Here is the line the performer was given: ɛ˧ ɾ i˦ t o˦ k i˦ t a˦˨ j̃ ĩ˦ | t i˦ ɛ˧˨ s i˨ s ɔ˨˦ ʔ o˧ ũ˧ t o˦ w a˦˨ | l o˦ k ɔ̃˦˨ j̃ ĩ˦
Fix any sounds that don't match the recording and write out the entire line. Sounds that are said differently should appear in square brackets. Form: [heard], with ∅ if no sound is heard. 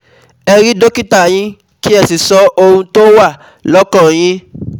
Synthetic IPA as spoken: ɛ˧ ɾ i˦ [d] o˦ k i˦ t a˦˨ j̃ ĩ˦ | [k] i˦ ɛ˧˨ s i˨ s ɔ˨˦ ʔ o˧ ũ˧ t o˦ w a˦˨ | l [ɔ˦] k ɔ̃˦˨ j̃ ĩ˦